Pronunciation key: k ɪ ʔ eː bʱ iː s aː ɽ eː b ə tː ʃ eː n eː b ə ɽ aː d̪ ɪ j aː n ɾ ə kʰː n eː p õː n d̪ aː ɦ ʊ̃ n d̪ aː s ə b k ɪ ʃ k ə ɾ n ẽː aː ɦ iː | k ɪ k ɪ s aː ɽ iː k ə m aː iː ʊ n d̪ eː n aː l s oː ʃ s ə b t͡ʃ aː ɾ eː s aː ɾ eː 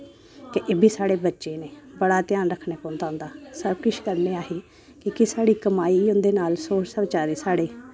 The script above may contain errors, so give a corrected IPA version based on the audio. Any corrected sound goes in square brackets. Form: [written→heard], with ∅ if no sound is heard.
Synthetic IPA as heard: k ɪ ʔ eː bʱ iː s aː ɽ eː b ə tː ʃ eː n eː b ə ɽ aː [d̪→t̪] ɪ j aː n ɾ ə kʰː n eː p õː n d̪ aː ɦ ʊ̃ n d̪ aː s ə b k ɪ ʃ k ə ɾ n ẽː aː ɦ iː | k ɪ k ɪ s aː ɽ iː k ə m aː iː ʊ n d̪ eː n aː l s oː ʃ s ə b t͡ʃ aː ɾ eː s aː [ɾ→ɽ] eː